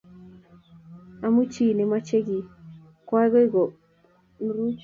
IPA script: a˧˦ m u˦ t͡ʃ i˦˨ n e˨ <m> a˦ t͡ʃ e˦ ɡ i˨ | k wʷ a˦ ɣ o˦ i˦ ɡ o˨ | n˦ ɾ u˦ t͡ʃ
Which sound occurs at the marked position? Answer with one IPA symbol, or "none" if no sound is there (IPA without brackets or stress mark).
m